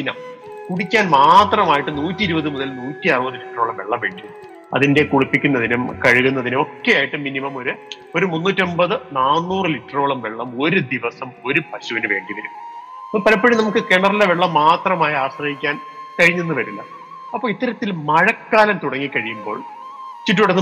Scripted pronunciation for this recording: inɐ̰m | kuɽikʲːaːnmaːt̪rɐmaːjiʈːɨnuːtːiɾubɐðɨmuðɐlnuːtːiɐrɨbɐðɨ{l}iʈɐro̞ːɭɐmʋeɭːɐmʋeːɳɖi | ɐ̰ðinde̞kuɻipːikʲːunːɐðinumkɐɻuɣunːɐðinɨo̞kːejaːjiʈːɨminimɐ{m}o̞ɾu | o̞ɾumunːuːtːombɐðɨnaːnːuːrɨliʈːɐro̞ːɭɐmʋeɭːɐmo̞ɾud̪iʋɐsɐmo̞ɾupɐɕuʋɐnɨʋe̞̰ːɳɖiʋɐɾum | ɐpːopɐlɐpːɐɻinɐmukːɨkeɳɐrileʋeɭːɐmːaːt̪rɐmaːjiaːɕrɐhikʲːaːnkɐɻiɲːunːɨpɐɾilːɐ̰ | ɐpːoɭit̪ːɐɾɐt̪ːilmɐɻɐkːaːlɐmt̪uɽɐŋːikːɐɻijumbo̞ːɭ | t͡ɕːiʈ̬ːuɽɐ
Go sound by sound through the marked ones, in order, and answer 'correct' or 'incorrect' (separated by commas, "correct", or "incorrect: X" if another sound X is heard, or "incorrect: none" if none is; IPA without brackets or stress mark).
correct, correct